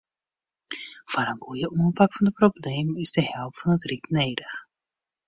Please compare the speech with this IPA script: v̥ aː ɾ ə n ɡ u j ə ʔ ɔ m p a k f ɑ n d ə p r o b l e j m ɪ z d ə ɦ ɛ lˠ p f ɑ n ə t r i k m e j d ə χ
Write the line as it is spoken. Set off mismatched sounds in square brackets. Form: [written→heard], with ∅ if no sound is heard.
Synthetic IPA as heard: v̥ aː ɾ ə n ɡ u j ə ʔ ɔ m p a k f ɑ n d ə p r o b l e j m ɪ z d ə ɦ ɛ lˠ p f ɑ n ə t r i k [m→n] e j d ə χ